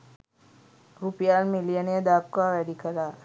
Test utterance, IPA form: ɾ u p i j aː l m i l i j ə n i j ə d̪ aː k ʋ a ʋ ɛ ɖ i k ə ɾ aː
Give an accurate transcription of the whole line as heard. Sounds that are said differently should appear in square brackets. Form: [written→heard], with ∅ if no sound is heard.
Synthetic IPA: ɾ u p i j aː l m i l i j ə n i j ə d̪ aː k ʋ a ʋ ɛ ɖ i k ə ɾ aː